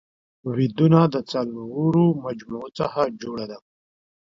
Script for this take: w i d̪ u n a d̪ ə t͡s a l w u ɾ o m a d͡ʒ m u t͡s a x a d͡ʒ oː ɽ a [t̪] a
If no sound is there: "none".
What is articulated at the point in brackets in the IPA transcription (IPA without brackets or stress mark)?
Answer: d̪